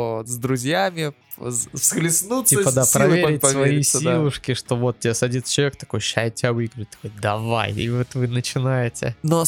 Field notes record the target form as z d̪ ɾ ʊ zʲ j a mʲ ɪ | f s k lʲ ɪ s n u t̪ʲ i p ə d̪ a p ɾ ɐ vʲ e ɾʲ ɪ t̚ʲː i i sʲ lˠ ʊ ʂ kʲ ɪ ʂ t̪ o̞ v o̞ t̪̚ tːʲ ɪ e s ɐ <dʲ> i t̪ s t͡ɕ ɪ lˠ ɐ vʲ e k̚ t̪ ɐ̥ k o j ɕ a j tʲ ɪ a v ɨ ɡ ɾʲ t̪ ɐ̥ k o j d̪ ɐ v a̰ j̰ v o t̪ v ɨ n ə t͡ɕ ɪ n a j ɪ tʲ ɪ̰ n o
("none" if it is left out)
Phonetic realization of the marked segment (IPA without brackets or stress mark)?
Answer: dʲ